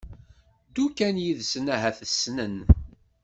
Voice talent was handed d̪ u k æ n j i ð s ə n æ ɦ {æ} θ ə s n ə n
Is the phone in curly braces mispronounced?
no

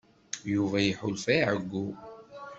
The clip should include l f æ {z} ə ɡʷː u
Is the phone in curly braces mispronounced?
yes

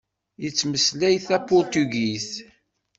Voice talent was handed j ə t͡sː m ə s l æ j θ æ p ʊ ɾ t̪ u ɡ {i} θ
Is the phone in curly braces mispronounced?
no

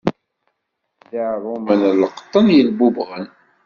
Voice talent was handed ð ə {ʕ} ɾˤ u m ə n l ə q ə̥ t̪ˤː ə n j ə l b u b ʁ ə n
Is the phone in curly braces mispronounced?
no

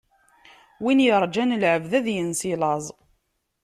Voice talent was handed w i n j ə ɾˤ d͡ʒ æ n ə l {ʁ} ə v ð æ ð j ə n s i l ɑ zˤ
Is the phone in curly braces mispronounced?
yes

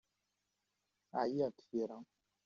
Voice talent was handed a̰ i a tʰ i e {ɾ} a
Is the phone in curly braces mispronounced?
no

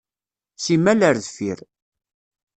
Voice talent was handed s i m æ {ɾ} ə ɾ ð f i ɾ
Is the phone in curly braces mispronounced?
yes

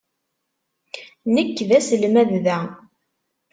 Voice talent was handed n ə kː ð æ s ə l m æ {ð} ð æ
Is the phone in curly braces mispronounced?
no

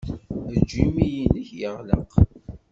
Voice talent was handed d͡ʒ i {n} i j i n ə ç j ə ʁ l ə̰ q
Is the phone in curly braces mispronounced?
yes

